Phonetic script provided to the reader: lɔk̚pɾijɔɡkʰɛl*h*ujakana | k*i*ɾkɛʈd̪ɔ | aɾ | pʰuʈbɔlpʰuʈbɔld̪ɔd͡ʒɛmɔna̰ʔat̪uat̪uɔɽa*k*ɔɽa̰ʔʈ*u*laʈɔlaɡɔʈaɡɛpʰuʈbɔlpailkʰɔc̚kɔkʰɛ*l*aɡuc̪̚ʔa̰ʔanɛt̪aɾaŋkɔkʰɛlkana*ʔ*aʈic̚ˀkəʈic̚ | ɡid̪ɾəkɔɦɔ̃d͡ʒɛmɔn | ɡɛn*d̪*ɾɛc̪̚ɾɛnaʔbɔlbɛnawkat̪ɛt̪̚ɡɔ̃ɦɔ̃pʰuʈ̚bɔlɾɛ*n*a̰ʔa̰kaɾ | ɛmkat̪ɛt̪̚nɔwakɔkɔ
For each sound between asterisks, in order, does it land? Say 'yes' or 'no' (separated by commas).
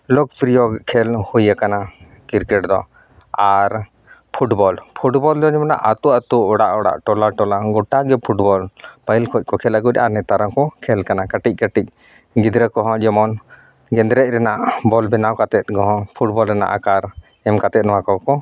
yes, yes, no, no, yes, no, yes, yes